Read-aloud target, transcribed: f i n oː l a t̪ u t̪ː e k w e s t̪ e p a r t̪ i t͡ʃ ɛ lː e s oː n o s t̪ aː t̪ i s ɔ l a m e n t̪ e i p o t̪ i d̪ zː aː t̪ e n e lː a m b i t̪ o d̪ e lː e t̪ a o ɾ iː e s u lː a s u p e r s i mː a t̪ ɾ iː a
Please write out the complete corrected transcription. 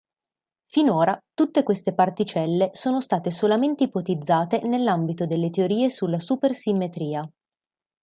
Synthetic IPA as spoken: f i n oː ɾ a t̪ u t̪ː e k w e s t̪ e p a r t̪ i t͡ʃ ɛ lː e s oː n o s t̪ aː t̪ e s o l a m e n t̪ e i p o t̪ i d̪ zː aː t̪ e n e lː a m b i t̪ o d̪ e lː e t̪ e o ɾ iː e s u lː a s u p e r s i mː e t̪ ɾ iː a